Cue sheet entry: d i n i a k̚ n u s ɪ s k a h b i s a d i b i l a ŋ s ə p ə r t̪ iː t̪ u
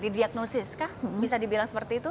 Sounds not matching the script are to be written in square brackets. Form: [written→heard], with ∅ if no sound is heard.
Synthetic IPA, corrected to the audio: d i [n→d] i a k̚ n [u→o] s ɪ s k a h b i s a d i b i l a ŋ s ə p ə r t̪ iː t̪ u